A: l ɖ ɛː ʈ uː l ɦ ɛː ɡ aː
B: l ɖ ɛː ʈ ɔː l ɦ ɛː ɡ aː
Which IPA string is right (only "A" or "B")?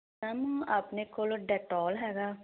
B